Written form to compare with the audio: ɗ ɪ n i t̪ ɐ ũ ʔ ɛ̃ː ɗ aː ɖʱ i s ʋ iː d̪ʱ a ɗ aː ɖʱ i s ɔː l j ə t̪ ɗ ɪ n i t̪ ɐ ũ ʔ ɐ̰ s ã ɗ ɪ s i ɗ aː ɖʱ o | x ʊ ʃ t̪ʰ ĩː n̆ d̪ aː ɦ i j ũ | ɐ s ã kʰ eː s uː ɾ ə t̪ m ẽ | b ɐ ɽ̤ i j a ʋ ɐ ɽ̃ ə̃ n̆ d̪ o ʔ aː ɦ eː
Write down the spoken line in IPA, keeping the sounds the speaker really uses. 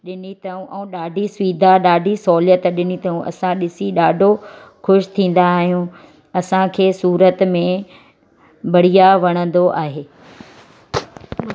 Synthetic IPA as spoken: ɗ ɪ n i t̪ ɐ ũ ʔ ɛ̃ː ɗ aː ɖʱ i s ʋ iː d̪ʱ a ɗ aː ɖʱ i s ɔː l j ə t̪ ɗ ɪ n i t̪ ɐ ũ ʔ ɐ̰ s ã ɗ ɪ s i ɗ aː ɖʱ o | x ʊ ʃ t̪ʰ ĩː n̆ d̪ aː ɦ i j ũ | ɐ s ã kʰ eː s uː ɾ ə t̪ m ẽ | b ɐ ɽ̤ i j a ʋ ɐ ɽ̃ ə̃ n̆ d̪ o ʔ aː ɦ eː